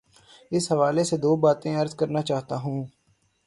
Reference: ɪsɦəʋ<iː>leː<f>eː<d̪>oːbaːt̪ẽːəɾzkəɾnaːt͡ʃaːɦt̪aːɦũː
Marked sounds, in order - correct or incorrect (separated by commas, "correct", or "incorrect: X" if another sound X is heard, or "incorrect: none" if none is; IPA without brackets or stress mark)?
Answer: incorrect: aː, incorrect: s, correct